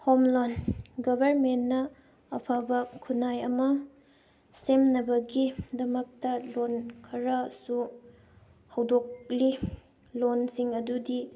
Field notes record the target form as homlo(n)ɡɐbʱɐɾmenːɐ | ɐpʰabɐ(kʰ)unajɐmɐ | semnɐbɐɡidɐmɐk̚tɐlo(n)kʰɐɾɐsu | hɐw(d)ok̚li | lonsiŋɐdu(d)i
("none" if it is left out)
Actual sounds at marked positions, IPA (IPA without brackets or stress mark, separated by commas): n, kʰ, n, d, d